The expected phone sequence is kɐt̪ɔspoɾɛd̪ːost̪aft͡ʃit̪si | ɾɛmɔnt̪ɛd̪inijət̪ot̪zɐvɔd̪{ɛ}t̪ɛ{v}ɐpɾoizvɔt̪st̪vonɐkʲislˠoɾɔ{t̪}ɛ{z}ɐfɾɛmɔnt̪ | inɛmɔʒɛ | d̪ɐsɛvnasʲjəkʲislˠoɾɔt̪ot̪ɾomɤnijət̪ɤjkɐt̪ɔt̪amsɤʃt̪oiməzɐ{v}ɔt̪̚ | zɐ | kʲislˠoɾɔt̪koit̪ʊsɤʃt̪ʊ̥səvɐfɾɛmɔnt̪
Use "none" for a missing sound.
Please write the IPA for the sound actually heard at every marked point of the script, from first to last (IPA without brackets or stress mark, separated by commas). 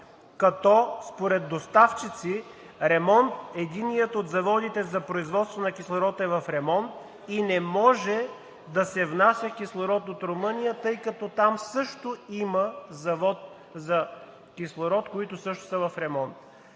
i, z, t̪, v, v